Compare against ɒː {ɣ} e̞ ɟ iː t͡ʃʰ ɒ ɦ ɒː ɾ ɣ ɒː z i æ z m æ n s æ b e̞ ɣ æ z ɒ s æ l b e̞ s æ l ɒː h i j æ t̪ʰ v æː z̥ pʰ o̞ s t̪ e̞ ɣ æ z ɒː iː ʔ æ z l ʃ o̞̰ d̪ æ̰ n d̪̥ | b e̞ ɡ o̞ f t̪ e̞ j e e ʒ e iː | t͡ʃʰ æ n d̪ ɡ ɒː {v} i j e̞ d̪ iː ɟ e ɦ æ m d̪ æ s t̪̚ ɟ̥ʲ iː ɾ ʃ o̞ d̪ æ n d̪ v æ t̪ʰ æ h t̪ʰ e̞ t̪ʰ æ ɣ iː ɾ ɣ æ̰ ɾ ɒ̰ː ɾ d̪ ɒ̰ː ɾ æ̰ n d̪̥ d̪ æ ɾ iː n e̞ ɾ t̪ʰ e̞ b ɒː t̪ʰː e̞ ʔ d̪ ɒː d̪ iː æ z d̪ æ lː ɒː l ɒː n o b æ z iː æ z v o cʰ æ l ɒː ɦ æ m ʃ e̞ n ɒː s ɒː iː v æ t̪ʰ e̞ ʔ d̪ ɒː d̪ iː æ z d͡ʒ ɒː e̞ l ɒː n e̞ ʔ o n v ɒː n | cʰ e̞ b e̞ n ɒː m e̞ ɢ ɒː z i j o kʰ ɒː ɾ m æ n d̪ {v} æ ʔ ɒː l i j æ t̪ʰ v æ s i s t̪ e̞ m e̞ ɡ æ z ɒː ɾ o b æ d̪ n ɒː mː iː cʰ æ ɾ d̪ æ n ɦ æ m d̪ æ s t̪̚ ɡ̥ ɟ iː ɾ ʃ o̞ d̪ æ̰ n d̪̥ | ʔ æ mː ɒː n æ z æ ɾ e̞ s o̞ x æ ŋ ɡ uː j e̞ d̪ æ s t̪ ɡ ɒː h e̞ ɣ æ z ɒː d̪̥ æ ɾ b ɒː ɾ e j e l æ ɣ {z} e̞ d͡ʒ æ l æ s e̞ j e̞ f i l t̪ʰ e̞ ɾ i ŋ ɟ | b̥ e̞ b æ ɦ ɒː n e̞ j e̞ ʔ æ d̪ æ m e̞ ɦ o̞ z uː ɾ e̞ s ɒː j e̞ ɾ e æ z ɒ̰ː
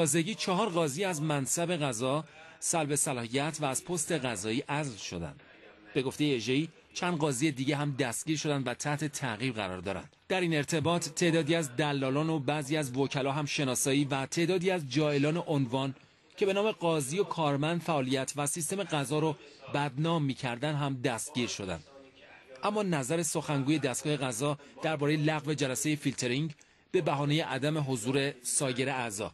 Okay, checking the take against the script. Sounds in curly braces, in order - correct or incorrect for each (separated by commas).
incorrect, incorrect, incorrect, incorrect